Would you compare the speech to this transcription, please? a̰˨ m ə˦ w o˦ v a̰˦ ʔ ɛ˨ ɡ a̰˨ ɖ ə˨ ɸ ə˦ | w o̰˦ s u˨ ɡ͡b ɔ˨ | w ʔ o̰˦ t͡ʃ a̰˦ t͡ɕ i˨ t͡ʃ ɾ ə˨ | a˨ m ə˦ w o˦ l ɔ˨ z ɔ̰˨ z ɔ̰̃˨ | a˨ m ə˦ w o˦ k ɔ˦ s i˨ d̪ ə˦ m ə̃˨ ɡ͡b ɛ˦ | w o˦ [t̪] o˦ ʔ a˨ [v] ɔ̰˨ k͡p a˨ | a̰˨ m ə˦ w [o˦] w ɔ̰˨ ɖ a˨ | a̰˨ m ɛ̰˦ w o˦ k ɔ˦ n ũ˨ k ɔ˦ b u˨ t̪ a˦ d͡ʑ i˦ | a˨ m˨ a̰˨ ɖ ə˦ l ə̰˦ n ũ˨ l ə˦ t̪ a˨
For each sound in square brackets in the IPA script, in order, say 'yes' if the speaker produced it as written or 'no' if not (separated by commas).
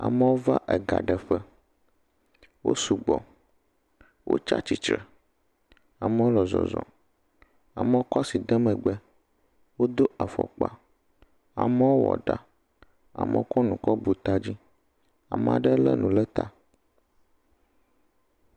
no, no, yes